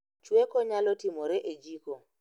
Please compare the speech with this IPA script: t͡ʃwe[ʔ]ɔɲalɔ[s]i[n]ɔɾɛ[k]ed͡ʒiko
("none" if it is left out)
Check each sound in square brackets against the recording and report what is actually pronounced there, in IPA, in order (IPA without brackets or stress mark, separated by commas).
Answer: k, t, m, ʔ